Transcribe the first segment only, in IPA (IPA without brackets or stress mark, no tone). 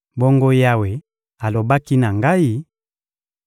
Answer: b